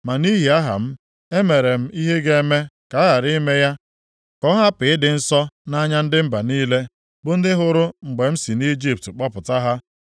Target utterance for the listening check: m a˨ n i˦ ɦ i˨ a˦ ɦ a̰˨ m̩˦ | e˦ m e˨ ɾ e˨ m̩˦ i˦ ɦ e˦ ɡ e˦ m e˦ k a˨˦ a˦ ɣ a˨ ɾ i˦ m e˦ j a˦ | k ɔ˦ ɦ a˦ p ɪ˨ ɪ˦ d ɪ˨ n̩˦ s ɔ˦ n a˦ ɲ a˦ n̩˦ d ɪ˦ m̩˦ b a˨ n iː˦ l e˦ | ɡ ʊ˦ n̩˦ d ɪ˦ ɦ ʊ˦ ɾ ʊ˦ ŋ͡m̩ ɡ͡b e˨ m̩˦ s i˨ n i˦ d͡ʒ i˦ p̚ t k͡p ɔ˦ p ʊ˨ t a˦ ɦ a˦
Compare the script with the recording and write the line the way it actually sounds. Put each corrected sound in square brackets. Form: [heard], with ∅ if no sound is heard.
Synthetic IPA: m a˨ n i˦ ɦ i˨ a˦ ɦ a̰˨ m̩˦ | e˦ m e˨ ɾ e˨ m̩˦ i˦ ɦ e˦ ɡ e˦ m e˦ k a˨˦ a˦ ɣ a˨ ɾ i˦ m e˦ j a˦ | k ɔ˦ ɦ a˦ p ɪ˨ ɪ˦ d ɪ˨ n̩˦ s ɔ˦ n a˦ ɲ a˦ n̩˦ d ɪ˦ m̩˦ b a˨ n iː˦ l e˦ | [b] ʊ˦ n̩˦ d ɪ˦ ɦ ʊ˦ ɾ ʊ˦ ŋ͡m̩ ɡ͡b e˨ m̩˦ s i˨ n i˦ d͡ʒ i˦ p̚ t k͡p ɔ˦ p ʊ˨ t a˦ ɦ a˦